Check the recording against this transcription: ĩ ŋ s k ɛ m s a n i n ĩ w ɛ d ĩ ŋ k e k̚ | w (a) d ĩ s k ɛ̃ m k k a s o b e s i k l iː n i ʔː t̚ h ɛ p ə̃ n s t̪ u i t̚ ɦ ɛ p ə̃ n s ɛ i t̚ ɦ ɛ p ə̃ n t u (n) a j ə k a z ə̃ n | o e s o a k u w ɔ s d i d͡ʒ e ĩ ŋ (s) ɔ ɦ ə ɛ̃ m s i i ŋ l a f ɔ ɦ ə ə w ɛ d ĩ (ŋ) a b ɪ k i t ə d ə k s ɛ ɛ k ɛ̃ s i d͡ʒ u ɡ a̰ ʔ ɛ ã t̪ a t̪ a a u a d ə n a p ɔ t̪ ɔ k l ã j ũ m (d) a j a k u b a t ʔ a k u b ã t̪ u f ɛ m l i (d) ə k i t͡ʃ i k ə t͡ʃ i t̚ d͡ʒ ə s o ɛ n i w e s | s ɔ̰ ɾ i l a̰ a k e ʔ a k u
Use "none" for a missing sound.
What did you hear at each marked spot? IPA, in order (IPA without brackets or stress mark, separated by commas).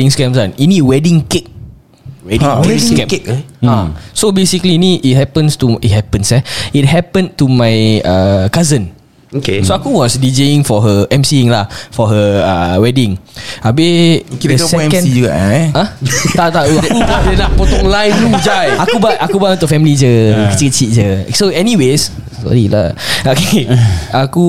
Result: ɛ, m, f, ŋ, d͡ʒ, d͡ʒ